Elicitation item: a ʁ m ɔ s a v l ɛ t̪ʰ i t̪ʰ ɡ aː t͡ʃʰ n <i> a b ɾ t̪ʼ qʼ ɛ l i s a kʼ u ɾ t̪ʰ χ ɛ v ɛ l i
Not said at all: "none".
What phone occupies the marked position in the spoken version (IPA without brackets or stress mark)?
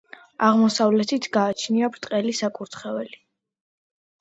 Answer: i